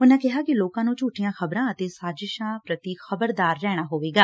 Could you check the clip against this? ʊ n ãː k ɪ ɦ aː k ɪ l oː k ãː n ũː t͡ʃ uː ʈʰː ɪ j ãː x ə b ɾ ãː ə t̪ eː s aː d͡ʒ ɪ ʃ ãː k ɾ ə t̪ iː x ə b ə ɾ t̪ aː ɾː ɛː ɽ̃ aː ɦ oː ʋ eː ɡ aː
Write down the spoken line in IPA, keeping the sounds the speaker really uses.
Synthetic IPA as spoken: ʊ n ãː k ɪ ɦ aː k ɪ l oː k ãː n ũː t͡ʃ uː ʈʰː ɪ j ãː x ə b ɾ ãː ə t̪ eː s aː d͡ʒ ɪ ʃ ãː p ɾ ə t̪ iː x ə b ə ɾ d̪ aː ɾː ɛː ɽ̃ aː ɦ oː ʋ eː ɡ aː